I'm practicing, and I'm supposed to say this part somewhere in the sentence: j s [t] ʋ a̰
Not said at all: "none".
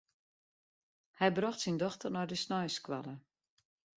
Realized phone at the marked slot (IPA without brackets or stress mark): k